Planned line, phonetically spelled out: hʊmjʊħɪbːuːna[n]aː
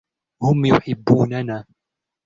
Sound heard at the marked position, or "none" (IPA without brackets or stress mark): n